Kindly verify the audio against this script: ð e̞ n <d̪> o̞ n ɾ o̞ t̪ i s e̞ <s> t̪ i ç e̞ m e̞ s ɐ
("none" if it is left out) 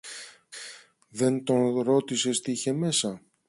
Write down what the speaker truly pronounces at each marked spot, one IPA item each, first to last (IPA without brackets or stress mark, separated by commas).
t̪, s